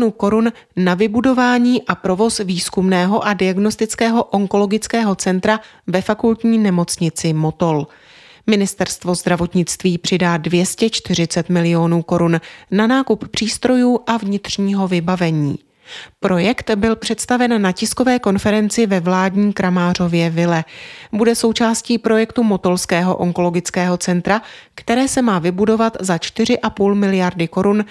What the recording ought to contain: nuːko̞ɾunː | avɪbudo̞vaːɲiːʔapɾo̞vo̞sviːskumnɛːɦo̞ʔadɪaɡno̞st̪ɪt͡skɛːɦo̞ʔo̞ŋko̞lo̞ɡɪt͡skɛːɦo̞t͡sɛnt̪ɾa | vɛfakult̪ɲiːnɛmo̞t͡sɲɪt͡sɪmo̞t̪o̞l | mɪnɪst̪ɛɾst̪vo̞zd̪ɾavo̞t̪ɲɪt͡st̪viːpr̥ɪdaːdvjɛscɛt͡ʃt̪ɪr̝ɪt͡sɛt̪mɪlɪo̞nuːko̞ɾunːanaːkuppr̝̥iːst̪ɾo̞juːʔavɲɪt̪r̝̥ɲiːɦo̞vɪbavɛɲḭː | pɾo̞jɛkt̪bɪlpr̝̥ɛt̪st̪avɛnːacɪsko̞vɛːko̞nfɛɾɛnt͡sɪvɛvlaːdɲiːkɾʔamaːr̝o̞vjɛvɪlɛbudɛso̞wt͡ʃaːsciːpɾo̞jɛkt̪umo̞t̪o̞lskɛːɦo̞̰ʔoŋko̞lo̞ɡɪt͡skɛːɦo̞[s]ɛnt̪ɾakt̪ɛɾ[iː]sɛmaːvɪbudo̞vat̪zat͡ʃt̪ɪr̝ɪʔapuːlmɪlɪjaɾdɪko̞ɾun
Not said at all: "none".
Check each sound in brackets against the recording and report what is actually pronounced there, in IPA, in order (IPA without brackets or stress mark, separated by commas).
t͡s, ɛː